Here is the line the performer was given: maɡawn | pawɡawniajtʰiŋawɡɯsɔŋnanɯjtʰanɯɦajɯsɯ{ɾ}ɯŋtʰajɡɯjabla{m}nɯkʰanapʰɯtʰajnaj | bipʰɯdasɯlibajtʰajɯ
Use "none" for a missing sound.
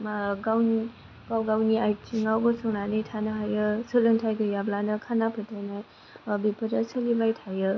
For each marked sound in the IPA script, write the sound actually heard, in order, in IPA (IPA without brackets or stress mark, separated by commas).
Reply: l, none